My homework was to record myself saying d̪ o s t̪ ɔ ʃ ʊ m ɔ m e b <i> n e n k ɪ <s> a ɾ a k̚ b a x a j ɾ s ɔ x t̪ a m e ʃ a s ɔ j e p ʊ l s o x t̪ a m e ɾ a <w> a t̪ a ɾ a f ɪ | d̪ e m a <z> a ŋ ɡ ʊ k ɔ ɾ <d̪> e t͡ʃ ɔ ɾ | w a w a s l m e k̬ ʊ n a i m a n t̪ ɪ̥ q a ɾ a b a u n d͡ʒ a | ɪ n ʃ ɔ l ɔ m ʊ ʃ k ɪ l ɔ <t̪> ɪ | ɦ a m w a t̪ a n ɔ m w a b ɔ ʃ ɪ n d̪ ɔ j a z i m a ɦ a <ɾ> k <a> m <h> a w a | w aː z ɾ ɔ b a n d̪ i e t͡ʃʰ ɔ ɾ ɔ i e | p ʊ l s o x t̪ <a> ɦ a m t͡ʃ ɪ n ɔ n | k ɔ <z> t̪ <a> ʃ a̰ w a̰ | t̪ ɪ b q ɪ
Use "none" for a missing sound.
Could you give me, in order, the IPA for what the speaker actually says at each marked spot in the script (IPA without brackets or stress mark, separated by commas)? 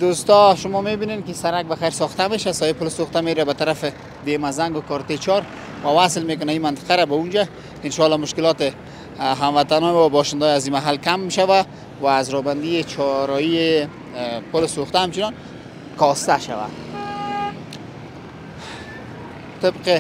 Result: i, s, b, z, t̪, t̪, l, a, ʃ, a, s, a